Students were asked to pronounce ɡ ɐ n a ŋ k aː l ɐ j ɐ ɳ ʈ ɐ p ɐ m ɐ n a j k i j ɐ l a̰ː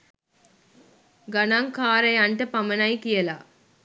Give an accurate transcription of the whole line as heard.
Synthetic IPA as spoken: ɡ ɐ n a ŋ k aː ɾ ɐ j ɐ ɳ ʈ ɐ p ɐ m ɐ n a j k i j ɐ l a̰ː